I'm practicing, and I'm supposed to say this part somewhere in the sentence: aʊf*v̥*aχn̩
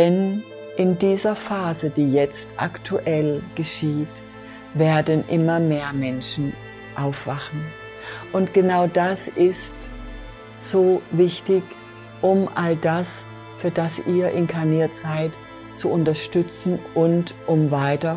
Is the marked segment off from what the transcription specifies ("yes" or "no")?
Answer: no